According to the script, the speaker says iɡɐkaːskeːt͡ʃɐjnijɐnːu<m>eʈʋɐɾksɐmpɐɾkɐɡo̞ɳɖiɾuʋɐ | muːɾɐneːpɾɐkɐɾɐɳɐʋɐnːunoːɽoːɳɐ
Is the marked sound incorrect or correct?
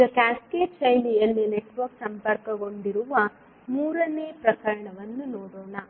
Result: incorrect